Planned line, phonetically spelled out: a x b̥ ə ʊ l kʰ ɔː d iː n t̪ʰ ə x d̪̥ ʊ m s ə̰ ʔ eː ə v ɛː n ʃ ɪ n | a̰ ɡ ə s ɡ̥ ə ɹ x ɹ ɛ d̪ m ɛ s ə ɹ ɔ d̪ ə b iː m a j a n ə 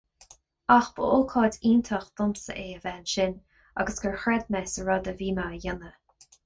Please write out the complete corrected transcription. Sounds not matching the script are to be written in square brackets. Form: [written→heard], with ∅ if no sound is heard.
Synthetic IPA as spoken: a x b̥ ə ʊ l kʰ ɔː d iː n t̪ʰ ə x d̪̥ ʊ m s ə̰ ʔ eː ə v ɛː n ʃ ɪ n | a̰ ɡ ə s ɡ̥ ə ɹ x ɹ ɛ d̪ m ɛ s ə ɹ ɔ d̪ ə [b→v] iː m a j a n ə